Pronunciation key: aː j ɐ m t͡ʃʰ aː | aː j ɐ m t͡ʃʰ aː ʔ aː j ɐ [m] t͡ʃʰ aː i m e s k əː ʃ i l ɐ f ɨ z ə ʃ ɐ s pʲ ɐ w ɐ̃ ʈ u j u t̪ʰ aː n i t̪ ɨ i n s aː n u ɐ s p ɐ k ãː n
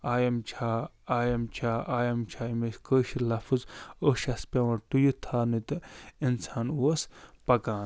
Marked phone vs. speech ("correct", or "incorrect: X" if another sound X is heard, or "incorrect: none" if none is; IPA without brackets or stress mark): correct